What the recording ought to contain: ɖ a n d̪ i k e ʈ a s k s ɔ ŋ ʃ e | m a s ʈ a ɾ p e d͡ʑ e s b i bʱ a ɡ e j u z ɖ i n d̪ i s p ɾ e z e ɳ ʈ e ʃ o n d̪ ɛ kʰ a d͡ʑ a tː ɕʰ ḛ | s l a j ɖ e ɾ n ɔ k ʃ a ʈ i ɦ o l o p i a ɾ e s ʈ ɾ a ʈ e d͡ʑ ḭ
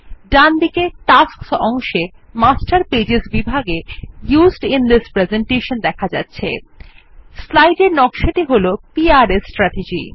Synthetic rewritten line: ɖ a n d̪ i k e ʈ a s k s ɔ ŋ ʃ e | m a s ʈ a ɾ p e d͡ʑ e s b i bʱ a ɡ e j u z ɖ i n d̪ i s p ɾ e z e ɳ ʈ e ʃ o n d̪ ɛ kʰ a d͡ʑ a tː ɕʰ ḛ | s l a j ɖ e ɾ n ɔ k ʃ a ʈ i ɦ o l o p i a ɾ e s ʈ ɾ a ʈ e d͡ʑ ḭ

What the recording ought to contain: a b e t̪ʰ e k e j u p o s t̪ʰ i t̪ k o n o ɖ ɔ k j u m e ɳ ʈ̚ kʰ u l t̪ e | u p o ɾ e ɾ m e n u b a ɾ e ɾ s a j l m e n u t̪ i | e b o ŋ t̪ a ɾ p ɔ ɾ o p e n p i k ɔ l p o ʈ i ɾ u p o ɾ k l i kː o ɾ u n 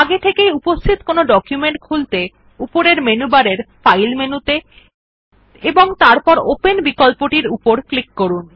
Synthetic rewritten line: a ɡ e t̪ʰ e k e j u p o s t̪ʰ i t̪ k o n o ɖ ɔ k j u m e ɳ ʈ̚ kʰ u l t̪ e | u p o ɾ e ɾ m e n u b a ɾ e ɾ f a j l m e n u t̪ e | e b o ŋ t̪ a ɾ p ɔ ɾ o p e n b i k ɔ l p o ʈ i ɾ u p o ɾ k l i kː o ɾ u n

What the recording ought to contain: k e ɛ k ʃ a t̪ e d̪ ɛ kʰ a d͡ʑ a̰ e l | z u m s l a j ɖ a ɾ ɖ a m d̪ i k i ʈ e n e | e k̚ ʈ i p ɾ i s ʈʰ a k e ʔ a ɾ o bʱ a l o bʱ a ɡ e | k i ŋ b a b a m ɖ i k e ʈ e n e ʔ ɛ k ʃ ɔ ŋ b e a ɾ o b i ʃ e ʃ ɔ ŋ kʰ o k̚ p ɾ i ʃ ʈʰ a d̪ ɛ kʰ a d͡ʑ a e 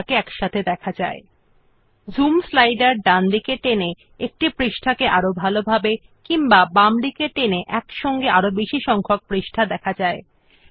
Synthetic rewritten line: k e ɛ k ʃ a t̪ʰ e d̪ ɛ kʰ a d͡ʑ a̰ e | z u m s l a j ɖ a ɾ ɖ a n d̪ i k e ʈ e n e | e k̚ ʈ i p ɾ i ʃ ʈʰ a k e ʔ a ɾ o bʱ a l o bʱ a b e | k i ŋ b a b a m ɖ i k e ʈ e n e ʔ ɛ k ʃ ɔ ŋ ɡ e a ɾ o b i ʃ i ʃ ɔ ŋ kʰ o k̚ p ɾ i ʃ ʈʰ a d̪ ɛ kʰ a d͡ʑ a e

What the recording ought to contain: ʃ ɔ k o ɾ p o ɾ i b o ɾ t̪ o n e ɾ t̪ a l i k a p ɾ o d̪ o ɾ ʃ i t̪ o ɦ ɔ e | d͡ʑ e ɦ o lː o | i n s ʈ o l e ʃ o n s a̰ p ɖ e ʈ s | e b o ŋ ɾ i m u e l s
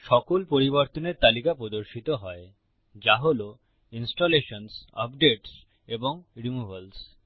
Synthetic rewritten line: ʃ ɔ k o l p o ɾ i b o ɾ t̪ o n e ɾ t̪ a l i k a p ɾ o d̪ o ɾ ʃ i t̪ o ɦ ɔ e | d͡ʑ a ɦ o l o | i n s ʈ o l e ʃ o n s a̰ p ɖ e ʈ s | e b o ŋ ɾ i m u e l s

